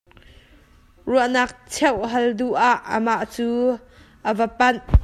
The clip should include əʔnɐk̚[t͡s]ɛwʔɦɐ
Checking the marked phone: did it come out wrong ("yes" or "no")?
yes